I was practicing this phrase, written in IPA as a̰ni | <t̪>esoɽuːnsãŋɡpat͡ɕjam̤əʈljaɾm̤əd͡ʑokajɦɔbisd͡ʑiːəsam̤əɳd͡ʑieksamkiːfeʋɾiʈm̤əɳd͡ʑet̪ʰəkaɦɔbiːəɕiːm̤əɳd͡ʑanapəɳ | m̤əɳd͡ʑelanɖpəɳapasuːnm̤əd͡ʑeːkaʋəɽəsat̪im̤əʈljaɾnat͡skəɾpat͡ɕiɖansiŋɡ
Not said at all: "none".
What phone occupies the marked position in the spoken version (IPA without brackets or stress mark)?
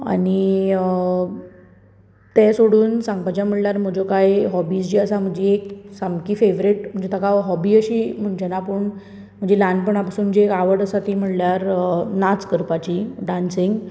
t̪